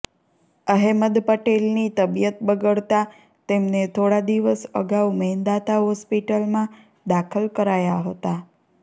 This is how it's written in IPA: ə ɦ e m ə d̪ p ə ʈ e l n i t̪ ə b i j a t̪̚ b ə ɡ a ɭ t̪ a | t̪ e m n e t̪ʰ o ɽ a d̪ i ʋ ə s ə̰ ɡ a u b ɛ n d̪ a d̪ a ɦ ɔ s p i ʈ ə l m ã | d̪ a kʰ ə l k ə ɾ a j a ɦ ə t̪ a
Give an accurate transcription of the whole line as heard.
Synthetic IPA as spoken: ə ɦ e m ə d̪ p ə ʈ e l n i t̪ ə b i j ə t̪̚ b ə ɡ ə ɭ t̪ a | t̪ e m n e t̪ʰ o ɽ a d̪ i ʋ ə s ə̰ ɡ a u m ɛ n d̪ a t̪ a ɦ ɔ s p i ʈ ə l m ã | d̪ a kʰ ə l k ə ɾ a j a ɦ ə t̪ a

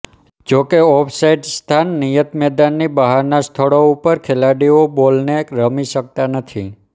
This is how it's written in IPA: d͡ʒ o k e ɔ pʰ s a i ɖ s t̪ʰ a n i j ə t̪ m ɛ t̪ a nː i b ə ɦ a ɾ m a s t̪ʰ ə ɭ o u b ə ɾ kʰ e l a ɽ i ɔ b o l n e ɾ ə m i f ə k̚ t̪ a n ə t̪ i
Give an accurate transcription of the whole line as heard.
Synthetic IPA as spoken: d͡ʒ o k e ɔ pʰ s a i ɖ s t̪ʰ a nː i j ə t̪ m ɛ d̪ a nː i b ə ɦ a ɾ n a s t̪ʰ ə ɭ o u p ə ɾ kʰ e l a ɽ i o b o l n e ɾ ə m i ʃ ə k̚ t̪ a n ə t̪ʰ i

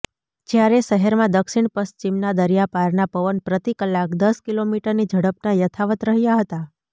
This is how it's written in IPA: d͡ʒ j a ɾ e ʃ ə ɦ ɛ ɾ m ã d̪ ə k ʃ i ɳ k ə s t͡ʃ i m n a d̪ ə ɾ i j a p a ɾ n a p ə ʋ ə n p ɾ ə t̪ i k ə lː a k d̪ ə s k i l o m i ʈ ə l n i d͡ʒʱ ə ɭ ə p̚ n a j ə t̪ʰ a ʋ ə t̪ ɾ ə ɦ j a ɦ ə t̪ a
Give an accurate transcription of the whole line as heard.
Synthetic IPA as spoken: d͡ʒ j a ɾ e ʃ ə ɦ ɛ ɾ m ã d̪ ə k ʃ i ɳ p ə s t͡ʃ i m n a d̪ ə ɾ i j a p a ɾ n a p ə ʋ ə n p ɾ ə t̪ i k ə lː a k d̪ ə s k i l o m i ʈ ə ɾ n i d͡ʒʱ ə ɽ ə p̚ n a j ə t̪ʰ a ʋ ə t̪ ɾ ə ɦ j a ɦ ə t̪ a

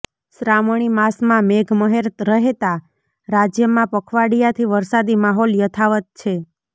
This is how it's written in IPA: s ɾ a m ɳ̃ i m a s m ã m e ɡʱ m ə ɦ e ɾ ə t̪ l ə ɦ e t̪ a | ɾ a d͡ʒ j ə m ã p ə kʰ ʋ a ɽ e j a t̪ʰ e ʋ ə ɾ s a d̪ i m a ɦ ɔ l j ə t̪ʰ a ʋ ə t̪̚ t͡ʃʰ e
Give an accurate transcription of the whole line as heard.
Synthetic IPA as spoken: s ɾ a m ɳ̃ i m a s m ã m e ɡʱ m ə ɦ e ɾ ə t̪ ɾ ə ɦ e t̪ a | ɾ a d͡ʒ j ə m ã p ə kʰ ʋ a ɽ i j a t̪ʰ i ʋ ə ɾ s a d̪ i m a ɦ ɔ l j ə t̪ʰ a ʋ ə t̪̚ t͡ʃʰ e

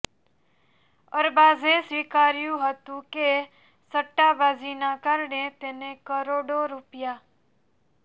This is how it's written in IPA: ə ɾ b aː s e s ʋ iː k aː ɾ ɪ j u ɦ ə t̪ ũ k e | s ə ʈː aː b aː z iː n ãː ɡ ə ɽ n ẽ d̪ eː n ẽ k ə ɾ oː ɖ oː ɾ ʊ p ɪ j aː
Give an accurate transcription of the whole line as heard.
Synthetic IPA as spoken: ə ɾ b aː z e s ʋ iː k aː ɾ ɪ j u ɦ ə t̪ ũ k e | s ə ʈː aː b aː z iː n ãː k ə ɾ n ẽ t̪ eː n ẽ k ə ɾ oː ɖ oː ɾ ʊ p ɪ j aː

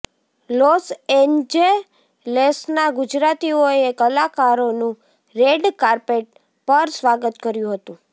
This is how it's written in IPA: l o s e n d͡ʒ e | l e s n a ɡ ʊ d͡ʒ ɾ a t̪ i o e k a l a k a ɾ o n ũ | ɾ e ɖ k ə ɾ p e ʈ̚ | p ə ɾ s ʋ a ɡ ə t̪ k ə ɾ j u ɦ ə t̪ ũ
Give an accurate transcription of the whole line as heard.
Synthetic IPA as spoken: l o s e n d͡ʒ e | l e s n a ɡ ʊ d͡ʒ ɾ a t̪ i o e k ə l a k a ɾ o n ũ | ɾ e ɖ k a ɾ p e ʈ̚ | p ə ɾ s ʋ a ɡ ə t̪ k ə ɾ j ũ ɦ ə t̪ ũ

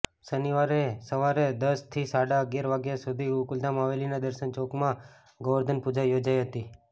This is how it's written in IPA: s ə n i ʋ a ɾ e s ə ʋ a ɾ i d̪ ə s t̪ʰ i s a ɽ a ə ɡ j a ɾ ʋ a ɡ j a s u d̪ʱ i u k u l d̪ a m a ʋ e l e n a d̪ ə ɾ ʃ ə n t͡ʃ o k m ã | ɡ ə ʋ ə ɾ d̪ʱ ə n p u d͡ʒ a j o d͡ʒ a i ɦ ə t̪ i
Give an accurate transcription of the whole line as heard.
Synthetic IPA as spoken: s ə n i ʋ a ɾ e s ə ʋ a ɾ e d̪ ə s t̪ʰ i s a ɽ a ə ɡ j a ɾ ʋ a ɡ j a s u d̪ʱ i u k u l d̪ a m a ʋ e l i n a d̪ ə ɾ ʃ ə n t͡ʃ o k m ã | ɡ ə ʋ ə ɾ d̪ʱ ə n p u d͡ʒ a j o d͡ʒ a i ɦ ə t̪ i

